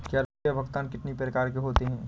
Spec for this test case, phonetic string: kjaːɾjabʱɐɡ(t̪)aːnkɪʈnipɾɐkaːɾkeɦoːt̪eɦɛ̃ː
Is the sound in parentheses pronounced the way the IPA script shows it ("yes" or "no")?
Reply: yes